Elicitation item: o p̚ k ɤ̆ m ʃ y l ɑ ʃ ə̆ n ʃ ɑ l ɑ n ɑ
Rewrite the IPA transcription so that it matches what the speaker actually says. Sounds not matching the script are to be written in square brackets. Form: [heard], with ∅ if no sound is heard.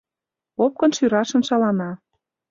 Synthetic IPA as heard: o p̚ k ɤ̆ [n] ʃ y [ɾ] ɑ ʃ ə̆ n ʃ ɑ l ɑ n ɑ